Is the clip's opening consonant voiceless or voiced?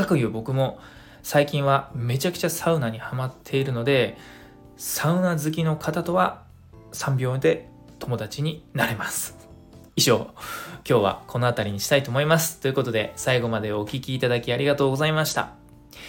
voiceless